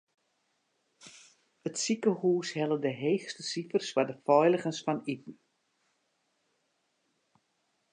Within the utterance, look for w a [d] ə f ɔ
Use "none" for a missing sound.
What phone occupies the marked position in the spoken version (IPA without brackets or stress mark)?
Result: d